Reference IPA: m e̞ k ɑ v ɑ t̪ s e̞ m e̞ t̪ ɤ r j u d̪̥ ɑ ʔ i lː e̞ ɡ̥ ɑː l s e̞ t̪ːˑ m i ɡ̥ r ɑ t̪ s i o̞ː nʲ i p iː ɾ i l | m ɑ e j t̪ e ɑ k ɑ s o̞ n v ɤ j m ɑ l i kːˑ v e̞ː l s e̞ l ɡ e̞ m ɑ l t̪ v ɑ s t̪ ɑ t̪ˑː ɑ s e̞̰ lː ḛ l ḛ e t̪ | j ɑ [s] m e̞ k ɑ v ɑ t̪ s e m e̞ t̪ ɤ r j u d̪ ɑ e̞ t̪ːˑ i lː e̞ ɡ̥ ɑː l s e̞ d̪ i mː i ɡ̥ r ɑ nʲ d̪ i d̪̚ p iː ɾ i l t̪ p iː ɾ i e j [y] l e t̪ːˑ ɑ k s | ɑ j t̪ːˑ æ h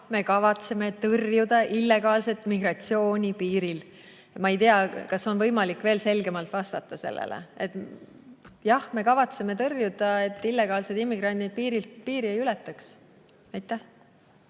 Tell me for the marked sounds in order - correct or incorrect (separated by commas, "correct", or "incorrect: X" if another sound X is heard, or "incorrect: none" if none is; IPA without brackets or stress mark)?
incorrect: h, correct